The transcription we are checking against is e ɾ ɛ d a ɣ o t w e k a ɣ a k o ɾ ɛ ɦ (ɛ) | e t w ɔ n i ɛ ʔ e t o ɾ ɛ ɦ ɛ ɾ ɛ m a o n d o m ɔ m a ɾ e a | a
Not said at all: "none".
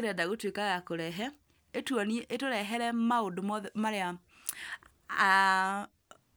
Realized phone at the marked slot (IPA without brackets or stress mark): ɛ